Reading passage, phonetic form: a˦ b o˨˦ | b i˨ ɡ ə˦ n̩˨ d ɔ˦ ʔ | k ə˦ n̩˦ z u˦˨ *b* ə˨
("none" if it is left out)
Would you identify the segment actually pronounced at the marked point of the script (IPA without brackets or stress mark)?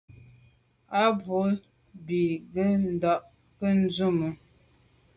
m